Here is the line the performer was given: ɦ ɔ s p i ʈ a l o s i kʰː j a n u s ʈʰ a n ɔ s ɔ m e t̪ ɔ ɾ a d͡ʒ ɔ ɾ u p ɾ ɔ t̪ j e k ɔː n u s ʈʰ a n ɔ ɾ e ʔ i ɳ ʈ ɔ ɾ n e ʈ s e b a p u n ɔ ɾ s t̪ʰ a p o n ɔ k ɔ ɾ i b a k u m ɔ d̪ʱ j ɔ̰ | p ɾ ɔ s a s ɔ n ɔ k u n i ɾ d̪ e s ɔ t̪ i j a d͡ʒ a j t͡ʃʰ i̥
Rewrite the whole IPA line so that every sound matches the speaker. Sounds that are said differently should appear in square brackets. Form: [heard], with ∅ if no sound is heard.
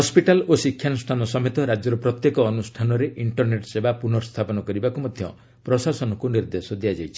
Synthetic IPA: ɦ ɔ s p i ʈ a l o s i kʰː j a n u s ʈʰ a n ɔ s ɔ m e t̪ ɔ ɾ a d͡ʒ ɔ ɾ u p ɾ ɔ t̪ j e k ɔː n u s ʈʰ a n ɔ ɾ e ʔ i ɳ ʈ ɔ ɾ n e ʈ s e b a p u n ɔ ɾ s t̪ʰ a p [ɔ] n ɔ k ɔ ɾ i b a k u m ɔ d̪ʱ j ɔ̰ | p ɾ ɔ s a s ɔ n ɔ k u n i ɾ d̪ e s ɔ [d̪] i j a d͡ʒ a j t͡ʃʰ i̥